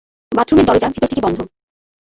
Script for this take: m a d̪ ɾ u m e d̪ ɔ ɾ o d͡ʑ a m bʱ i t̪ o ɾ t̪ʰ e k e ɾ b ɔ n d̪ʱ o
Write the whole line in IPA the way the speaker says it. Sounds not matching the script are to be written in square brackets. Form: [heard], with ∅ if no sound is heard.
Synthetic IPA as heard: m a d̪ ɾ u m e d̪ ɔ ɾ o d͡ʑ a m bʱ i t̪ o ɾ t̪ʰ e k e [∅] b ɔ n d̪ʱ o